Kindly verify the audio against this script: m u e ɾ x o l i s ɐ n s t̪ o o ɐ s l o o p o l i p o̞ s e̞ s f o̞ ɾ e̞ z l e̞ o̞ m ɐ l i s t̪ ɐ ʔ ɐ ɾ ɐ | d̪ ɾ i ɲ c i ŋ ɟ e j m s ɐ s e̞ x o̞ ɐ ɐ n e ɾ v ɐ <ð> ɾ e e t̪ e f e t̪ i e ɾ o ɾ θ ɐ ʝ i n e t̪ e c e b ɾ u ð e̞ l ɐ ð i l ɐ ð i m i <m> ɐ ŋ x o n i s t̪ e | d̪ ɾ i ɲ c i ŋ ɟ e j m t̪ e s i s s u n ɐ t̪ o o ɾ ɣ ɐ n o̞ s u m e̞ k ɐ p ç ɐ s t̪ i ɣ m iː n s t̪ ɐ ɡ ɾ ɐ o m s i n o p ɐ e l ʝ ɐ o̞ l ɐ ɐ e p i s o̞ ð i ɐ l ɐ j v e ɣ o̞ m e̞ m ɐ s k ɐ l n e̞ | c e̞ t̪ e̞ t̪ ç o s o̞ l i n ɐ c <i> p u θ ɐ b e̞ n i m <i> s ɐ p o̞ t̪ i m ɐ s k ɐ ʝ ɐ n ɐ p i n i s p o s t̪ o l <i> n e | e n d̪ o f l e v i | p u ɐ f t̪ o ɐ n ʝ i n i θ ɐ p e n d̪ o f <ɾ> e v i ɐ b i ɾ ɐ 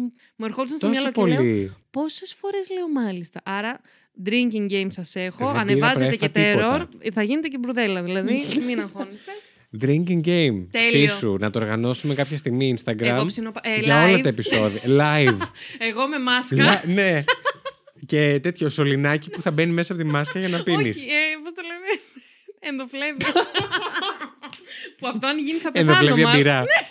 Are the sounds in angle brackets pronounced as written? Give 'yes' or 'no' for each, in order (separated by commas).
no, no, yes, no, no, no